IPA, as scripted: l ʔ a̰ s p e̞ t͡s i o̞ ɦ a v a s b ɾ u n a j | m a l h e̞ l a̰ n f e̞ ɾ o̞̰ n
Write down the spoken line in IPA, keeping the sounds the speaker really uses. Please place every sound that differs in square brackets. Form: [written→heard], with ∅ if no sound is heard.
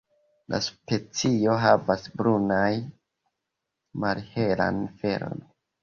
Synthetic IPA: l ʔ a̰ s p e̞ t͡s i o̞ ɦ a v a s b ɾ u n a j | m a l h e̞ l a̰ n f e̞ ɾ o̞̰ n